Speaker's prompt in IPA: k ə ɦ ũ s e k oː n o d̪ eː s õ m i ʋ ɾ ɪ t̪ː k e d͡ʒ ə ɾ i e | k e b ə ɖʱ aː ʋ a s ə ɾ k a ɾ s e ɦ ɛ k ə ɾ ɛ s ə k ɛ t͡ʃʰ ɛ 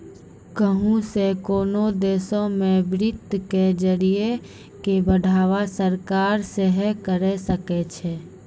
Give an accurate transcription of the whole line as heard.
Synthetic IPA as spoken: k ə ɦ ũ s e k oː n o d̪ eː s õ m e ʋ ɾ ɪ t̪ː k e d͡ʒ ə ɾ i e | k e b ə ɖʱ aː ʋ a s ə ɾ k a ɾ s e ɦ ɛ k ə ɾ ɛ s ə k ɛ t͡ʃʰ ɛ